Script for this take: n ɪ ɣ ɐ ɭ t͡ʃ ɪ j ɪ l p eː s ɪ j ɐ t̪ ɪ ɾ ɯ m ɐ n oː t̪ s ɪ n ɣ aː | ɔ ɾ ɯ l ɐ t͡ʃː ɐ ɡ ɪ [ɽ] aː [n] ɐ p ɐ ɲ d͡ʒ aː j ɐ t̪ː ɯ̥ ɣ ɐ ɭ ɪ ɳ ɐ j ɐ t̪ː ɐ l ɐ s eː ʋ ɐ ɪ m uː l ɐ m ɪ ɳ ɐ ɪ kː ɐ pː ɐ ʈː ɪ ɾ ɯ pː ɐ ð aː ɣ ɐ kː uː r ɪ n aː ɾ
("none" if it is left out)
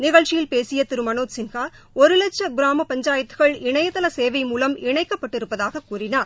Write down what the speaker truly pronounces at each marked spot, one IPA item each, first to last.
ɾ, m

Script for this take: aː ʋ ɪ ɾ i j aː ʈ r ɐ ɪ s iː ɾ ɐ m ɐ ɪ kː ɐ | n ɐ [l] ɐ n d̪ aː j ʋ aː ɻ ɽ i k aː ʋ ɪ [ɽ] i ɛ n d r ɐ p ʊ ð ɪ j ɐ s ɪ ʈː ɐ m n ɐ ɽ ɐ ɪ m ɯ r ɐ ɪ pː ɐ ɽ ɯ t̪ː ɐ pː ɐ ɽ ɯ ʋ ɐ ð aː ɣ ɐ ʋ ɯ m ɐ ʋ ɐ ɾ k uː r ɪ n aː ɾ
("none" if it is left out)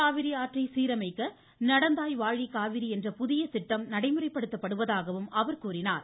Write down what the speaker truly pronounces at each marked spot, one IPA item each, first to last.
ɽ, ɾ

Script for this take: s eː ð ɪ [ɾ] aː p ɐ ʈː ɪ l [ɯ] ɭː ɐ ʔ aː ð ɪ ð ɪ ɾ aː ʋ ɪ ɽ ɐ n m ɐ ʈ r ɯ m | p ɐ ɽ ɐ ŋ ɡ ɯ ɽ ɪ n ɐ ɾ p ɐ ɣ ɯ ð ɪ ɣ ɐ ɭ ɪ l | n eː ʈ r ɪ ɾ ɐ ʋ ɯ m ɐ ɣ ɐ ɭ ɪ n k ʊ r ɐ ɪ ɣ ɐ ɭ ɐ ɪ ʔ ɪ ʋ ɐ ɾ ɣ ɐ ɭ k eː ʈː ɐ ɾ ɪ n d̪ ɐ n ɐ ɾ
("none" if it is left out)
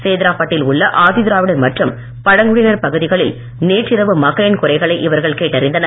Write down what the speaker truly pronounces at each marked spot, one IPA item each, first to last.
ɾ, ʊ

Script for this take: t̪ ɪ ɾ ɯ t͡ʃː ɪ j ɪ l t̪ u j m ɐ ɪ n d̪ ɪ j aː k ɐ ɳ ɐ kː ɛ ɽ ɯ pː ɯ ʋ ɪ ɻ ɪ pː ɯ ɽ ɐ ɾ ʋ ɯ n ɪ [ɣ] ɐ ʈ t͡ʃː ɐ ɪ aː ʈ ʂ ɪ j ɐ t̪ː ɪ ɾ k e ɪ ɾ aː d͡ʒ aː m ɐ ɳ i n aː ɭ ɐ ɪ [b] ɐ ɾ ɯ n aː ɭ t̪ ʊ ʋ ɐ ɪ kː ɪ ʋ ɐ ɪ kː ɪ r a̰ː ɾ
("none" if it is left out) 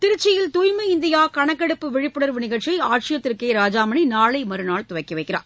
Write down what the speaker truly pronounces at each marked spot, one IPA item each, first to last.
ɣ, m

